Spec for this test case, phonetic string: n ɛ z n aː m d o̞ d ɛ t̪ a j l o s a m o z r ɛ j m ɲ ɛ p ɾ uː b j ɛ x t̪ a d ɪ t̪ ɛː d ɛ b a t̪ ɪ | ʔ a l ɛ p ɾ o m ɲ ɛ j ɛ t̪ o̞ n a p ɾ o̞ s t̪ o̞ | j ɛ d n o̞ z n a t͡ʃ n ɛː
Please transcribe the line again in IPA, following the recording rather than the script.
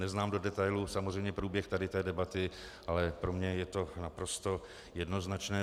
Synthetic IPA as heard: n ɛ z n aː m d o̞ d ɛ t̪ a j l u s a m o z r ɛ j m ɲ ɛ p ɾ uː b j ɛ x t̪ a d ɪ t̪ ɛː d ɛ b a t̪ ɪ | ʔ a l ɛ p ɾ o m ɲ ɛ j ɛ t̪ o̞ n a p ɾ o̞ s t̪ o̞ | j ɛ d n o̞ z n a t͡ʃ n ɛː

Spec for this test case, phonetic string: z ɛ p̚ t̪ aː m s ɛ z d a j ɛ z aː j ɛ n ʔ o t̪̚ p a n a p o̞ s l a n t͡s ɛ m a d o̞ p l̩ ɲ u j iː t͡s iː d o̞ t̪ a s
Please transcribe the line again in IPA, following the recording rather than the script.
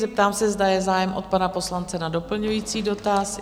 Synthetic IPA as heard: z ɛ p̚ t̪ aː m s ɛ z d a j ɛ z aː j ɛ m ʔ o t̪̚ p a n a p o̞ s l a n t͡s ɛ n a d o̞ p l̩ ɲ u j iː t͡s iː d o̞ t̪ a s

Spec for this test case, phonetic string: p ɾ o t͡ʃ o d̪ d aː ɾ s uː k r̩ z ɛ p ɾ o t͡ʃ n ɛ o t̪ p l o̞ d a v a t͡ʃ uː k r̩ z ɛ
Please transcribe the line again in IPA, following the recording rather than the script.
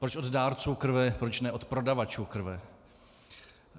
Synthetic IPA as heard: p ɾ o t͡ʃ o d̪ d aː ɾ t͡s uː k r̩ v ɛ p ɾ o t͡ʃ n ɛ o t̪ p ɾ o̞ d a v a t͡ʃ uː k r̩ v ɛ

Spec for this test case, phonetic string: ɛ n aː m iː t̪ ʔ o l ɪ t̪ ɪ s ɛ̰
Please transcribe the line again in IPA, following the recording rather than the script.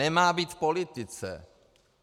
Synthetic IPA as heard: ɛ m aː b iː t̪ p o l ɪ t̪ ɪ t͡s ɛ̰

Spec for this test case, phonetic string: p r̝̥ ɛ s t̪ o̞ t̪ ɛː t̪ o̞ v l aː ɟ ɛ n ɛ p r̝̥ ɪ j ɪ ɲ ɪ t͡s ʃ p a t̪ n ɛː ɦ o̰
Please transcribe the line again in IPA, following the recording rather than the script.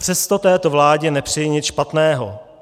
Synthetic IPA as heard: p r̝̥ ɛ s t̪ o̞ t̪ ɛː t̪ o̞ v l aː ɟ ɛ n ɛ p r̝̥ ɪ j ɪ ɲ ɪ t͡s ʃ p a t̪ n ɛː ɦ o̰

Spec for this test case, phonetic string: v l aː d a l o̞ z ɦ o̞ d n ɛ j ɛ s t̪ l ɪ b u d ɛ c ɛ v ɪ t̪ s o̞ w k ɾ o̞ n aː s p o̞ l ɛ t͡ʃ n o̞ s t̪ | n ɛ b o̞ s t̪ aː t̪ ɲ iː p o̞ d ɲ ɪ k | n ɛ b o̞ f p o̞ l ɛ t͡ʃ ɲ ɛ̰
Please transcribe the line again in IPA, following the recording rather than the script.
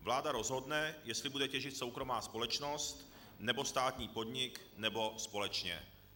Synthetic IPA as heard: v l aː d a ɾ o̞ z ɦ o̞ d n ɛ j ɛ s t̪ l ɪ b u d ɛ c ɛ ʒ ɪ t̪ s o̞ w k ɾ o̞ m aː s p o̞ l ɛ t͡ʃ n o̞ s t̪ | n ɛ b o̞ s t̪ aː t̪ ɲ iː p o̞ d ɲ ɪ k | n ɛ b o̞ s p o̞ l ɛ t͡ʃ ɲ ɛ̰

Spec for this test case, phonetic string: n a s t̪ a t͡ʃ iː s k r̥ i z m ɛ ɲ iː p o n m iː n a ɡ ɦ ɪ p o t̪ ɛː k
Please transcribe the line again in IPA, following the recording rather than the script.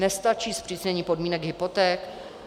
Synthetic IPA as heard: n ɛ s t̪ a t͡ʃ iː s p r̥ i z ɲ ɛ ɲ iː p o d m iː n ɛ ɡ ɦ ɪ p o t̪ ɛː k

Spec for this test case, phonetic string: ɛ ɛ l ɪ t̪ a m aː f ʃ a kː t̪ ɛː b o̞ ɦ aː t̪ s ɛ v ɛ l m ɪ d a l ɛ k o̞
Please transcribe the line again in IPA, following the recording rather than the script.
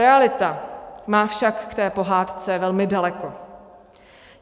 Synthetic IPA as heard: ɛ a l ɪ t̪ a m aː f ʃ a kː t̪ ɛː p o̞ ɦ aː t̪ t͡s ɛ v ɛ l m ɪ d a l ɛ k o̞

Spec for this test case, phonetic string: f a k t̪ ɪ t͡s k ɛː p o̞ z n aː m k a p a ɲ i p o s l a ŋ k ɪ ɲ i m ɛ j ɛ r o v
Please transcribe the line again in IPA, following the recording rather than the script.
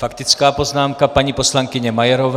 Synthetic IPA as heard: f a k t̪ ɪ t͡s k aː p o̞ z n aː m k a p a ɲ i p o s l a ŋ k ɪ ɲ ɛ m a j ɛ ɾ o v

